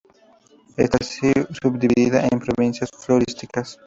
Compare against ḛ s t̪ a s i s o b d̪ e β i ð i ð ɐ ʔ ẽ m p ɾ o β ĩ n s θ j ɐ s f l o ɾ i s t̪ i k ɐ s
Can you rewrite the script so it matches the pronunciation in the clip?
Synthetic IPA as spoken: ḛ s t̪ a s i s u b d̪ i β i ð i ð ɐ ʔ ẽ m p ɾ o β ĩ n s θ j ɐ s f l o ɾ i s t̪ i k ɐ s